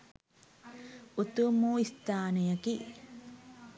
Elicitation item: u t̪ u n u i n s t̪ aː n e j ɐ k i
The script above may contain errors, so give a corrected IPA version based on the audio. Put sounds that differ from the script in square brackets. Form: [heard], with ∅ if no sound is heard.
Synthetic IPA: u t̪ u [m] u i [∅] s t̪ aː n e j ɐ k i